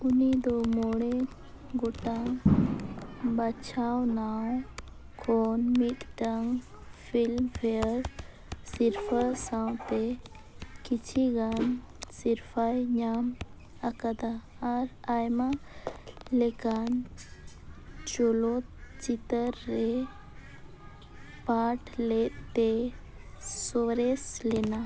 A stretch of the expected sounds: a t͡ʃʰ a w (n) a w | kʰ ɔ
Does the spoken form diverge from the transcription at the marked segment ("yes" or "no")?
no